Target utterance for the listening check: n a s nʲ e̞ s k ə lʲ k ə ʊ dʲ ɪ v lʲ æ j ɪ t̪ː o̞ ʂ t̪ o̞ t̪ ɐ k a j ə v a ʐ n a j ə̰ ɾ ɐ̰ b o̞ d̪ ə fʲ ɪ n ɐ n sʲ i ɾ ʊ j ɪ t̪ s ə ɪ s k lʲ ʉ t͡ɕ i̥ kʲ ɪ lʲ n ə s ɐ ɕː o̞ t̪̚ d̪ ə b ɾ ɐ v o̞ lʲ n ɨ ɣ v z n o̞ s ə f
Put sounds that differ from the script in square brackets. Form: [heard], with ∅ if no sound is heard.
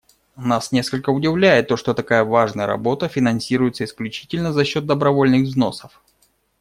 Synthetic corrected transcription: n a s nʲ e̞ s k ə lʲ k ə ʊ dʲ ɪ v lʲ æ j ɪ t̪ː o̞ ʂ t̪ o̞ t̪ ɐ k a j ə v a ʐ n [ə] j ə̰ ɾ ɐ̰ b o̞ [t̪] ə fʲ ɪ n ɐ n sʲ i ɾ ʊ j ɪ t̪ s ə ɪ s k lʲ ʉ t͡ɕ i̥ [tʲ] ɪ lʲ n ə [z] ɐ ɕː o̞ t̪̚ d̪ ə b ɾ ɐ v o̞ lʲ n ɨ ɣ v z n o̞ s ə f